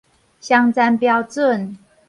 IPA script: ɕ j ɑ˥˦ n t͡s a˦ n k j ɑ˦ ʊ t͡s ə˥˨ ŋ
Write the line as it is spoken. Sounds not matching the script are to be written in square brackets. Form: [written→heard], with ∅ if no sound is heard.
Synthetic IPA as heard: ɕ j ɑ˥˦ [n→ŋ] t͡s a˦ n [k→p] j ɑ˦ ʊ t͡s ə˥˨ [ŋ→n]